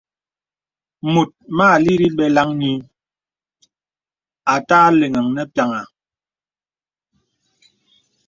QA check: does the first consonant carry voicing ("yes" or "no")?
yes